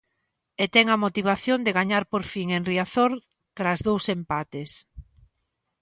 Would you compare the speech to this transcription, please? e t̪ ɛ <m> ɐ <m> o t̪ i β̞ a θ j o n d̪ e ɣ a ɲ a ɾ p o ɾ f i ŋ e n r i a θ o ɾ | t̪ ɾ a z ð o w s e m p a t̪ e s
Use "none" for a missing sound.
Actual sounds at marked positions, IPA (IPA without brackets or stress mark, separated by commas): ŋ, m